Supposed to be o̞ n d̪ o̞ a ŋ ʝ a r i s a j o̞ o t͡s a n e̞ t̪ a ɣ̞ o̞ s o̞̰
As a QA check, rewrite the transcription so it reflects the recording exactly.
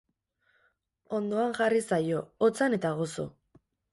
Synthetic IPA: o̞ n d̪ o̞ a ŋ ʝ a r i s a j o̞ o t͡s a n e̞ t̪ a ɣ̞ o̞ s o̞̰

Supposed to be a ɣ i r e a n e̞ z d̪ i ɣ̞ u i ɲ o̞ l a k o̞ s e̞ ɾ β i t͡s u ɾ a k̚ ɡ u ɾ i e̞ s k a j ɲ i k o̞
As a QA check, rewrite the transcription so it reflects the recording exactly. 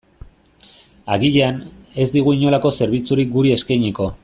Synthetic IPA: a ɣ i ʎ e a n e̞ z d̪ i ɣ̞ u i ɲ o̞ l a k o̞ s e̞ ɾ β i t͡s u ɾ i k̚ ɡ u ɾ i e̞ s k a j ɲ i k o̞

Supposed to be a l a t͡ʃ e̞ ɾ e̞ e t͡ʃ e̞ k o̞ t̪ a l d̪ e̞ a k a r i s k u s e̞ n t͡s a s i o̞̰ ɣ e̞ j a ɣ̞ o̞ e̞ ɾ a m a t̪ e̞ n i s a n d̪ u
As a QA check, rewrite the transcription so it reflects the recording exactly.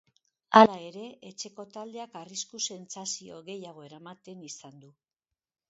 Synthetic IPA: a l a e̞ ɾ e̞ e t͡ʃ e̞ k o̞ t̪ a l d̪ e̞ a k a r i s k u s e̞ n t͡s a s i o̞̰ ɣ e̞ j a ɣ̞ o̞ e̞ ɾ a m a t̪ e̞ n i s a n d̪ u

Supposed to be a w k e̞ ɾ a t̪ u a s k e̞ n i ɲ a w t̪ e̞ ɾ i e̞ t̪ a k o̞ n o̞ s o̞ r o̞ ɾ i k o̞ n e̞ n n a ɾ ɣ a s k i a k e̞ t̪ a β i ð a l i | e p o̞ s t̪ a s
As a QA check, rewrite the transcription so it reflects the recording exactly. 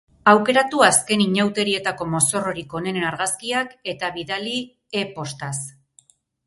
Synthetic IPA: a w k e̞ ɾ a t̪ u a s k e̞ n i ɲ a w t̪ e̞ ɾ i e̞ t̪ a k o̞ m o̞ s o̞ r o̞ ɾ i k o̞ n e̞ n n a ɾ ɣ a s k i a k e̞ t̪ a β i ð a l i | e p o̞ s t̪ a s

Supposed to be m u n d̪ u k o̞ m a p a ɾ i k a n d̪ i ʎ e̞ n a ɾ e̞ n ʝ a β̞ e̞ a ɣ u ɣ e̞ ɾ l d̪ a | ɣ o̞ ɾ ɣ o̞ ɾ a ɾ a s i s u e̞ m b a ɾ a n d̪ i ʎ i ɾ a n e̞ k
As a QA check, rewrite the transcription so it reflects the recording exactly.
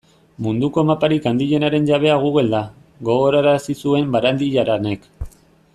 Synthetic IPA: m u n d̪ u k o̞ m a p a ɾ i k a n d̪ i ʎ e̞ n a ɾ e̞ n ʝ a β̞ e̞ a ɣ u ɣ e̞ l d̪ a | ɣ o̞ ɣ o̞ ɾ a ɾ a s i s u e̞ m b a ɾ a n d̪ i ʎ a ɾ a n e̞ k

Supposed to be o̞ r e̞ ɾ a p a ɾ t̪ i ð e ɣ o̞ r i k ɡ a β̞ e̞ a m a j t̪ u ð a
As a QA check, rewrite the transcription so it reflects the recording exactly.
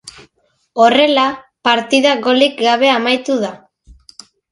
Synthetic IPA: o̞ r e̞ l a p a ɾ t̪ i ð a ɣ o̞ l i k ɡ a β̞ e̞ a m a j t̪ u ð a

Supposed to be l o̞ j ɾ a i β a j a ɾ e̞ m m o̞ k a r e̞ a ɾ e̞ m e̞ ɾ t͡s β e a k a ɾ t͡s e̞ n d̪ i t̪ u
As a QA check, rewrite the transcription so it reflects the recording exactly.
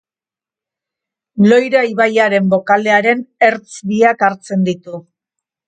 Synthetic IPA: l o̞ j ɾ a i β a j a ɾ e̞ m b o̞ k a l e̞ a ɾ e̞ n e̞ ɾ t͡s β i a k a ɾ t͡s e̞ n d̪ i t̪ u

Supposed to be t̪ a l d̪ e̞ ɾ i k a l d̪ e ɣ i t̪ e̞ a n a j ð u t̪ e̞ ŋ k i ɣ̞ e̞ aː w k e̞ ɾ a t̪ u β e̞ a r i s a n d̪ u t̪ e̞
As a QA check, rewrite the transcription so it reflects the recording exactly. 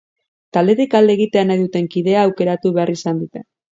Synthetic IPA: t̪ a l d̪ e̞ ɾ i k a l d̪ e ɣ i t̪ e̞ a n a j ð u t̪ e̞ ŋ k i ð̞ e̞ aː w k e̞ ɾ a t̪ u β e̞ a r i s a n d̪ u t̪ e̞

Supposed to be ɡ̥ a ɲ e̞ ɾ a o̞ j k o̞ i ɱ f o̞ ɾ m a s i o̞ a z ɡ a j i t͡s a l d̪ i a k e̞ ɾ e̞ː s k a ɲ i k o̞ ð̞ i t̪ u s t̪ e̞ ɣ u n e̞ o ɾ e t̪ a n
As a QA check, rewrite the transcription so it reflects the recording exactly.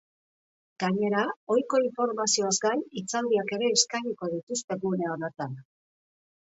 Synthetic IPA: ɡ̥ a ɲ e̞ ɾ a o̞ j k o̞ i ɱ f o̞ ɾ m a s i o̞ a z ɡ a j i t͡s a l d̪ i a k e̞ ɾ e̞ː s k a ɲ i k o̞ ð̞ i t̪ u s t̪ e̞ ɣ u n e̞ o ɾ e t̪ a n

